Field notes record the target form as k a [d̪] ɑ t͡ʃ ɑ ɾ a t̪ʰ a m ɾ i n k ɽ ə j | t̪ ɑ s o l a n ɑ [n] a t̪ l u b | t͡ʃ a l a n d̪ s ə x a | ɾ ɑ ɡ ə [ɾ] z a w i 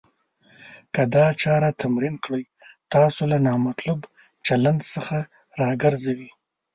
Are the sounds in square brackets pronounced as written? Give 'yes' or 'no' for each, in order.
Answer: yes, no, yes

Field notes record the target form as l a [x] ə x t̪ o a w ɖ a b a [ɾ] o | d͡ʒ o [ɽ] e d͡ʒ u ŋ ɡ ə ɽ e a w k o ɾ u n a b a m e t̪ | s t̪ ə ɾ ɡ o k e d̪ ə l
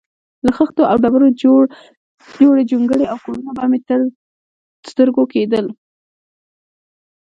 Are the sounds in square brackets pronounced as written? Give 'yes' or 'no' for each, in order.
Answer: yes, yes, yes

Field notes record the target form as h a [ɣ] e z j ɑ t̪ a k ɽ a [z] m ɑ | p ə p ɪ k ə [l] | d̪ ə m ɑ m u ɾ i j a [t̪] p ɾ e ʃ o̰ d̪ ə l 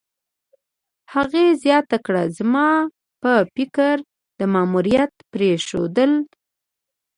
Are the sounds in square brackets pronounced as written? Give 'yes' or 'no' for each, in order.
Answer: yes, yes, no, yes

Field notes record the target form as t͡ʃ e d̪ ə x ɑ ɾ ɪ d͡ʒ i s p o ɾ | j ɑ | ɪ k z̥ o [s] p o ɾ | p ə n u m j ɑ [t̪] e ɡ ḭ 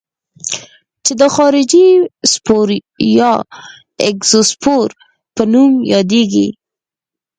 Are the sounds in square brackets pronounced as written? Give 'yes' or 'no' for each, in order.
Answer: yes, no

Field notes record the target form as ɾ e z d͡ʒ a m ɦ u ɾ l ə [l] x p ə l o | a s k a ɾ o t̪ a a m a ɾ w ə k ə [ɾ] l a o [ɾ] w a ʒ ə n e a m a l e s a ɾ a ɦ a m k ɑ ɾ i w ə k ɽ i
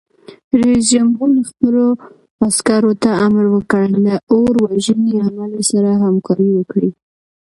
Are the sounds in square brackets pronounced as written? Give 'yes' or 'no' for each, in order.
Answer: no, no, yes

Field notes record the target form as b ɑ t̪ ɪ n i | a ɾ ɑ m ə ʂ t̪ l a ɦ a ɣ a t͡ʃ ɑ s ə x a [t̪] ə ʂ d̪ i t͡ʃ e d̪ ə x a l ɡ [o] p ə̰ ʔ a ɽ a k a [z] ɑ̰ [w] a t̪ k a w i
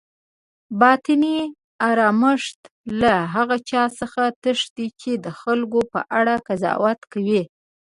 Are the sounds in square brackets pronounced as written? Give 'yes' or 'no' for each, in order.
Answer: yes, yes, yes, yes

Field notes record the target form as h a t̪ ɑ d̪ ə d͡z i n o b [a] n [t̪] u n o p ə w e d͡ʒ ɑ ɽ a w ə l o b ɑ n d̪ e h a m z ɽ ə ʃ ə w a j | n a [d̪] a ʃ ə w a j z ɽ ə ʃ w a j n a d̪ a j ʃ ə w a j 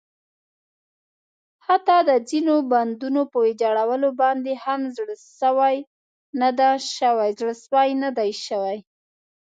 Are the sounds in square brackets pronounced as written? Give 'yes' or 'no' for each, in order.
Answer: yes, no, yes

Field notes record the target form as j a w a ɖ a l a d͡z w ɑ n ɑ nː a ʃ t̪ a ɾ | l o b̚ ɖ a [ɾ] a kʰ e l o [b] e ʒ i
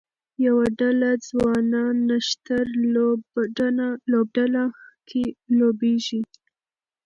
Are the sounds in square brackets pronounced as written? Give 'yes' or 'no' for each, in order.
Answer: no, yes

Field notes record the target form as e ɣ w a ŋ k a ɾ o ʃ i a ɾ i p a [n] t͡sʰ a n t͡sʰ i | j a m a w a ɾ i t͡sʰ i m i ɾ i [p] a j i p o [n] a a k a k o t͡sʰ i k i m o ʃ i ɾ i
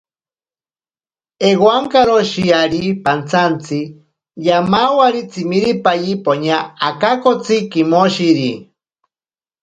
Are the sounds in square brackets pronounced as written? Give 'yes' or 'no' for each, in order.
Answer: yes, yes, no

